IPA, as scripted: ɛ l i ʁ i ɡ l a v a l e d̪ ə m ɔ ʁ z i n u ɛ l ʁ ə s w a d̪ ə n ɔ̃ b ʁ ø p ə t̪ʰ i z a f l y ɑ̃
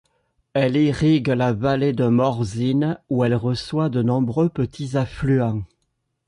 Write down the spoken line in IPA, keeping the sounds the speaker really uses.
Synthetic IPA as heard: ɛ l i ʁ i ɡ l a v a l e d̪ ə m ɔ ʁ z i n u ɛ l ʁ ə s w a d̪ ə n ɔ̃ b ʁ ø p ə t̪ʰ i z a f l y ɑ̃